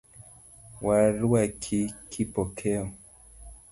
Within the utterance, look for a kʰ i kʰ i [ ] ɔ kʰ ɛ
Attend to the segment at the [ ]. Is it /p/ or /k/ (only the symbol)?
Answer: p